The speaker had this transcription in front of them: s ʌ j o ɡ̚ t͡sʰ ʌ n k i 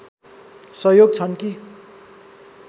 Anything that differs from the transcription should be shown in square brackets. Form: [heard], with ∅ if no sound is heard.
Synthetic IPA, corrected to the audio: s ʌ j o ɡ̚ t͡sʰ ʌ n k i